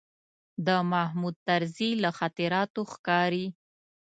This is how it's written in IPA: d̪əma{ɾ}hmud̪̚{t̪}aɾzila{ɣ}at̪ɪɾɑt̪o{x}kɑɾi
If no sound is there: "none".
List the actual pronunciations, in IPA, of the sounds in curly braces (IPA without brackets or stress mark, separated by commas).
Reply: none, t̪, x, x